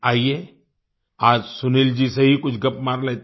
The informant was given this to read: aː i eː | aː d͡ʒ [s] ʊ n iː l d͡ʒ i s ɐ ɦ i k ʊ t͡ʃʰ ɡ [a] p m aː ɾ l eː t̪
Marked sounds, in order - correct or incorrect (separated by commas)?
correct, incorrect